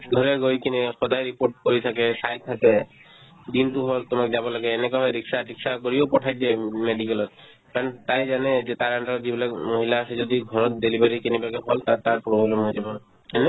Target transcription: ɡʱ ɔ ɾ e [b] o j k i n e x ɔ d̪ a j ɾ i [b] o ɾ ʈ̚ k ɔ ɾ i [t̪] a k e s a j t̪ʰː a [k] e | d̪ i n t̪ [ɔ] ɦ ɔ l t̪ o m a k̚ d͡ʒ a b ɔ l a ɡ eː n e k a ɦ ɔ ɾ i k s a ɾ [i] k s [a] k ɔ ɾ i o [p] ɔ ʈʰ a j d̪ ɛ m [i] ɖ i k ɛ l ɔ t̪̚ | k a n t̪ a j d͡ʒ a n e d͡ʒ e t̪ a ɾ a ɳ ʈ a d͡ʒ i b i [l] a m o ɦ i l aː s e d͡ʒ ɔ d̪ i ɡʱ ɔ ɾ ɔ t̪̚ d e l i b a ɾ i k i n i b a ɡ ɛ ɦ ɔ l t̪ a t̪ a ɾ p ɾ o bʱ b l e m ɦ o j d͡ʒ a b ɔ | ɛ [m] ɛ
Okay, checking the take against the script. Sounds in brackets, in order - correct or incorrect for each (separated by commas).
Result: incorrect, incorrect, incorrect, correct, incorrect, correct, correct, correct, incorrect, correct, incorrect